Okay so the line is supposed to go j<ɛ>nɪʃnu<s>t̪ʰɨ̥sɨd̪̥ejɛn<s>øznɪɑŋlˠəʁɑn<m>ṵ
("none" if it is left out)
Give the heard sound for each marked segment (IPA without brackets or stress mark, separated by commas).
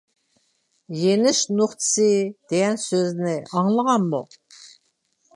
e, χ, s, m